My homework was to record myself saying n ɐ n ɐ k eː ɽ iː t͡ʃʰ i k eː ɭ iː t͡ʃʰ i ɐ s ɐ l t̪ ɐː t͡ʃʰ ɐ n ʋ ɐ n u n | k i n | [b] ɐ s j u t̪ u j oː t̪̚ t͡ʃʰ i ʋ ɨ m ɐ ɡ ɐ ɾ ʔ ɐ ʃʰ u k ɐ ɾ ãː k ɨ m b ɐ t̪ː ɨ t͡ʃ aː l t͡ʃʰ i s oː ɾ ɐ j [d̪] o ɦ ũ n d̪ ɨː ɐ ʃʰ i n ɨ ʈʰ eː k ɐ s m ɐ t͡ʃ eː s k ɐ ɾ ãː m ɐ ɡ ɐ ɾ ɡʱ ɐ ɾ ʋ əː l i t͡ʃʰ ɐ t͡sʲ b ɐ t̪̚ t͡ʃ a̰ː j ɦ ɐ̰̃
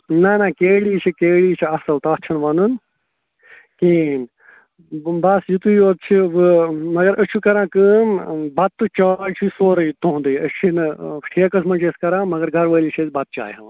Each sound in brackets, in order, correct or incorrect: correct, incorrect: t̪

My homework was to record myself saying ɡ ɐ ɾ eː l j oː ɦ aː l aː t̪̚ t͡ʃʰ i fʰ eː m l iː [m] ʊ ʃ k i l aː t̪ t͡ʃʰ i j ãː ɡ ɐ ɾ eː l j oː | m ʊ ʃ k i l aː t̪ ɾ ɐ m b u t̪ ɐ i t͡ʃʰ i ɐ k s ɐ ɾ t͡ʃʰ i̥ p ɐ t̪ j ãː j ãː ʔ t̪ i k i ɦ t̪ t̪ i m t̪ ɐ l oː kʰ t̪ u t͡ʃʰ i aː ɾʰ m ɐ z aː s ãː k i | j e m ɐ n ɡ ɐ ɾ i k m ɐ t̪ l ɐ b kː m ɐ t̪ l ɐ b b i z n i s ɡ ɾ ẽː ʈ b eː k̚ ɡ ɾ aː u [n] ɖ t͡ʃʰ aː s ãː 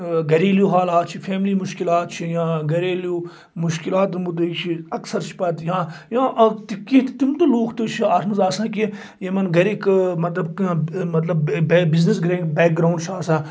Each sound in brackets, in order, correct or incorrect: correct, incorrect: ɳ

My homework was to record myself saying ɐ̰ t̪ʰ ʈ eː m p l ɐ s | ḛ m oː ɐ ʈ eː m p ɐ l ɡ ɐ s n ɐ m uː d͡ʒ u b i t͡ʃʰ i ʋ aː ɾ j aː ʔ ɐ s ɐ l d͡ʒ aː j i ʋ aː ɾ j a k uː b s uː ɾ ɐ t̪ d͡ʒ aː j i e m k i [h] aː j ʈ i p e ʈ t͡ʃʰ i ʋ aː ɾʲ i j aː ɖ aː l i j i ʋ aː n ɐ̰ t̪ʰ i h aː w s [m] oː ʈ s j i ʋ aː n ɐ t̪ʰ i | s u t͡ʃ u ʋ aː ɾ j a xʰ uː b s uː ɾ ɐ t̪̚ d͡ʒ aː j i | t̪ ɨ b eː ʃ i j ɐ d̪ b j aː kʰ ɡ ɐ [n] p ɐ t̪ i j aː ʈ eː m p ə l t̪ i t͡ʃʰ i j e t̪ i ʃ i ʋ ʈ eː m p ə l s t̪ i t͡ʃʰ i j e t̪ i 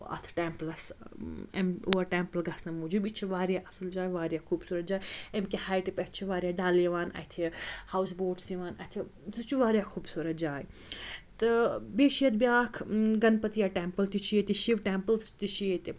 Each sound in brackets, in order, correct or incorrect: correct, incorrect: b, correct

